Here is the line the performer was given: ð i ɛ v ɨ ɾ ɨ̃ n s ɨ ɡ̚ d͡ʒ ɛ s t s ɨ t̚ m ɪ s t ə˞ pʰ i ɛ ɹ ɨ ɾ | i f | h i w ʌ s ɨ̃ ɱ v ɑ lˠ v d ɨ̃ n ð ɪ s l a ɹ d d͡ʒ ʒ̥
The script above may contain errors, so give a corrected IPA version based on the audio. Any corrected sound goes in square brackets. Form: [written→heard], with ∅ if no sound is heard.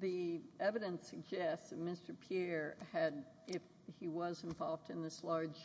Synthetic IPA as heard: ð i ɛ v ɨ ɾ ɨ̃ n s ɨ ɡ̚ d͡ʒ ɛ s t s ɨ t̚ m ɪ s t ə˞ pʰ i ɛ ɹ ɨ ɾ | [i→ɪ] f | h i w ʌ [s→z] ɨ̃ ɱ v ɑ lˠ v d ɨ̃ n ð ɪ s l [a→ɑ] ɹ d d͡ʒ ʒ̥

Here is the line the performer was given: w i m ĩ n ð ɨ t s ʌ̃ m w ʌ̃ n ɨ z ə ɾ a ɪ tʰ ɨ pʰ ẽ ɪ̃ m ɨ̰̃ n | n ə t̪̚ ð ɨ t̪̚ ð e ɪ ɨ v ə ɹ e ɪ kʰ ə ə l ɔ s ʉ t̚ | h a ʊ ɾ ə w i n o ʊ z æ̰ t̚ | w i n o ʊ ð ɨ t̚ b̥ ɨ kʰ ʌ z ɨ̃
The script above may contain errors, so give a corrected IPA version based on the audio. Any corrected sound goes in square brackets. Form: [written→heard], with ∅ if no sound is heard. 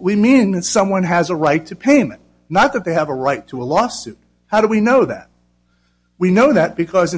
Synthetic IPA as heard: w i m ĩ n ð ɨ t s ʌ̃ m w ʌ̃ n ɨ z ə [ɾ→ɹ] a ɪ tʰ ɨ pʰ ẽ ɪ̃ m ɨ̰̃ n | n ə t̪̚ ð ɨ t̪̚ ð e ɪ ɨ v ə ɹ [e→a] ɪ [kʰ→tʰ] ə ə l ɔ s ʉ t̚ | h a ʊ ɾ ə w i n o ʊ [z→ð] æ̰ t̚ | w i n o ʊ ð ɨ t̚ b̥ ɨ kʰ ʌ z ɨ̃

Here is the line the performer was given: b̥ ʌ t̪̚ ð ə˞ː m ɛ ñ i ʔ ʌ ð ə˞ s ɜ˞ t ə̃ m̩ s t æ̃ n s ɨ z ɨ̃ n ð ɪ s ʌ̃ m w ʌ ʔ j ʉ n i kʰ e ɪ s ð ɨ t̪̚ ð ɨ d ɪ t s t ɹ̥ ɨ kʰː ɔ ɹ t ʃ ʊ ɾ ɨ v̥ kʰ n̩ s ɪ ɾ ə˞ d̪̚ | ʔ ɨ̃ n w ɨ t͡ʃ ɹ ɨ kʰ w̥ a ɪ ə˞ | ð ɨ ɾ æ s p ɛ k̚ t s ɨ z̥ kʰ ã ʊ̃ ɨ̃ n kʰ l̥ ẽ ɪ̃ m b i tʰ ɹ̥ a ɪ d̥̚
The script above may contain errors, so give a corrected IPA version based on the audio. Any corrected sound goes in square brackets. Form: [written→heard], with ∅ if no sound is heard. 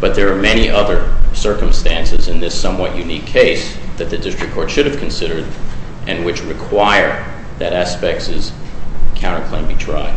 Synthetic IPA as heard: b̥ ʌ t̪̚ ð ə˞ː m ɛ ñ i ʔ ʌ ð ə˞ s ɜ˞ [t→k] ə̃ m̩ s t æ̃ n s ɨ z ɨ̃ n ð ɪ s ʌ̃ m w ʌ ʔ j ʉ n i kʰ e ɪ s ð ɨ t̪̚ ð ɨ d ɪ [t→∅] s t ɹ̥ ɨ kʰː ɔ ɹ t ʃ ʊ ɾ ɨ v̥ kʰ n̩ s ɪ ɾ ə˞ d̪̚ | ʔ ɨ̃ n w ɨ t͡ʃ ɹ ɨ kʰ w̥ a ɪ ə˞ | ð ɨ ɾ æ s p ɛ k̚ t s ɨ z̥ kʰ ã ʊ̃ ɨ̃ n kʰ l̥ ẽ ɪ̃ m b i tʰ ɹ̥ a ɪ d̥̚

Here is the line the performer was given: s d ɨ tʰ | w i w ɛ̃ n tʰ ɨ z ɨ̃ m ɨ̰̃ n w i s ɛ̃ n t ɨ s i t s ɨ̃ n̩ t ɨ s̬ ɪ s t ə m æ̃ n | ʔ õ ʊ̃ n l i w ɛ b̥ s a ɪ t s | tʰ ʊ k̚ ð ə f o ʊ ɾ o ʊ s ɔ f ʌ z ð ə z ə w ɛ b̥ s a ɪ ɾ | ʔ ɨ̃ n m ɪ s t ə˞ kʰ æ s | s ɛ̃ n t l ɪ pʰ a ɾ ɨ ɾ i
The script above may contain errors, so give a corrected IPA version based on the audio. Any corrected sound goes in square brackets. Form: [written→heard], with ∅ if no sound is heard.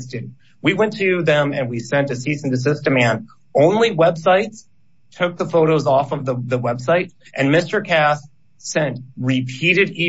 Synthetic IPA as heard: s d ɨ [tʰ→∅] | w i w ɛ̃ n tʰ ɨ [z→ð] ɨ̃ m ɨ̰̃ n w i s ɛ̃ n t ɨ s i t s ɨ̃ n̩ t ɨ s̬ ɪ s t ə m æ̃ n | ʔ õ ʊ̃ n l i w ɛ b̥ s a ɪ t s | tʰ ʊ k̚ ð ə f o ʊ ɾ o ʊ [s→z] ɔ f ʌ [z→v] ð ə [z→ð] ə w ɛ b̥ s a ɪ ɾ | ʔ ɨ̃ n m ɪ s t ə˞ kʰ æ s | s ɛ̃ n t [l→ɹ] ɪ pʰ [a→i] ɾ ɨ ɾ i

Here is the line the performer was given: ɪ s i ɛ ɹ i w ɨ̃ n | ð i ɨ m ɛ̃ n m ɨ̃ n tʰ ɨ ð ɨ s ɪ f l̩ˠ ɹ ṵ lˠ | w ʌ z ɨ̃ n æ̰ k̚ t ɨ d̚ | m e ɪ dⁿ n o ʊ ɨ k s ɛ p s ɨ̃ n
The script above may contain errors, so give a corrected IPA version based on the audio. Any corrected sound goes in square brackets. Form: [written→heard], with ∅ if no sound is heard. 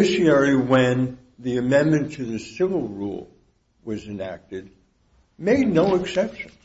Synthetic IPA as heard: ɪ [s→ʃ] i ɛ ɹ i w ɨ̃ n | ð i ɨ m ɛ̃ n m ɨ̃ n tʰ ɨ ð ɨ s ɪ [f→v] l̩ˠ ɹ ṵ lˠ | w ʌ z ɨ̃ n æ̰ k̚ t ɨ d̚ | m e ɪ dⁿ n o ʊ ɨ k s ɛ p [s→ʃ] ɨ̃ n

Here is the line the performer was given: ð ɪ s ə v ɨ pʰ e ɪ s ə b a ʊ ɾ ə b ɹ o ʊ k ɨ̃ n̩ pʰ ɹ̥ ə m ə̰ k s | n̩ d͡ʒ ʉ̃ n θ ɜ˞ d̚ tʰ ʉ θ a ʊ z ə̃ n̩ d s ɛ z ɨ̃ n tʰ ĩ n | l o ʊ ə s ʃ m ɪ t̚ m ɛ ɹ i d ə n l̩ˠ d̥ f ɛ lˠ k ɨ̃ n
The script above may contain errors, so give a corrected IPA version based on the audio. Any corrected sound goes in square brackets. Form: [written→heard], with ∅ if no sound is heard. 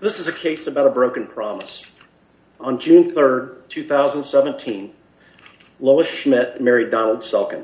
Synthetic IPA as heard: ð ɪ s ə [v→z] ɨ [pʰ→kʰ] e ɪ s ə b a ʊ ɾ ə b ɹ o ʊ k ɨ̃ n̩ pʰ ɹ̥ [ə→ɑ] m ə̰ [k→∅] s | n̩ d͡ʒ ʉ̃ n θ ɜ˞ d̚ tʰ ʉ θ a ʊ z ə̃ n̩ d s ɛ [z→v] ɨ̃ n tʰ ĩ n | l o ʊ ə s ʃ m ɪ t̚ m ɛ ɹ i d [ə→ɑ] n l̩ˠ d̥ [f→s] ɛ lˠ k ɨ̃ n

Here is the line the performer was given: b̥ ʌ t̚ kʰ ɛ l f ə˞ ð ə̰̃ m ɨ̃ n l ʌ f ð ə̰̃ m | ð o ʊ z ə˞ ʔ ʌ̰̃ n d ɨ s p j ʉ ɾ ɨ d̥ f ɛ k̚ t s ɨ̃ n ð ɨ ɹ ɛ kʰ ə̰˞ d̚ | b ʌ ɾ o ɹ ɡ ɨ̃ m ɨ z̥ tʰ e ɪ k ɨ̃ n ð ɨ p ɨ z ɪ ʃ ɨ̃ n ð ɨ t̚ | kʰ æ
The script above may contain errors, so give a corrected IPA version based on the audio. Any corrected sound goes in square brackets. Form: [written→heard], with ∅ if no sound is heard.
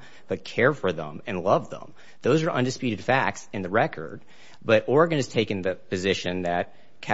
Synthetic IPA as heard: b̥ ʌ t̚ kʰ ɛ [l→ɹ] f ə˞ ð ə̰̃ m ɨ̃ n l ʌ [f→v] ð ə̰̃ m | ð o ʊ z ə˞ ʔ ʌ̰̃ n d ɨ s p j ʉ ɾ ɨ d̥ f [ɛ→æ] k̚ t s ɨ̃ n ð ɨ ɹ ɛ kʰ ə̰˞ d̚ | b ʌ ɾ [o→ɔ] ɹ ɡ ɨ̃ [m→n] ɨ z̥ tʰ e ɪ k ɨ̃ n ð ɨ p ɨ z ɪ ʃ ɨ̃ n ð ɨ t̚ | kʰ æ

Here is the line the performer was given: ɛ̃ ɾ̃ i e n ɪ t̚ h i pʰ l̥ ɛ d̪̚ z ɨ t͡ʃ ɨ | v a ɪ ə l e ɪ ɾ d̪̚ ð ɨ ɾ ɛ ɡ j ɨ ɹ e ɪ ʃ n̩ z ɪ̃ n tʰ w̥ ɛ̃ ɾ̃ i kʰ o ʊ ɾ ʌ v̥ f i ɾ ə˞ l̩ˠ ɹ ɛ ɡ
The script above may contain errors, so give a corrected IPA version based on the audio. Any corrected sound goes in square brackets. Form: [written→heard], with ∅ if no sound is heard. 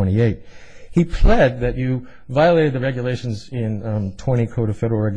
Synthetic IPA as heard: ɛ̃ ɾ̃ i e [n→∅] ɪ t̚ h i pʰ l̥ ɛ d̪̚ [z→ð] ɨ t͡ʃ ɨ | v a ɪ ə l e ɪ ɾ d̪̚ ð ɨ [ɾ→ɹ] ɛ ɡ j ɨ [ɹ→l] e ɪ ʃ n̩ z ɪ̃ n tʰ w̥ ɛ̃ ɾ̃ i kʰ o ʊ ɾ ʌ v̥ f [i→ɛ] ɾ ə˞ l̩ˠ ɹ ɛ ɡ

